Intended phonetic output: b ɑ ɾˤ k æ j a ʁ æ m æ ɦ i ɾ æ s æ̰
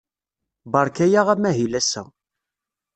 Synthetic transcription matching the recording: b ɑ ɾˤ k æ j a ʁ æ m æ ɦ i l æ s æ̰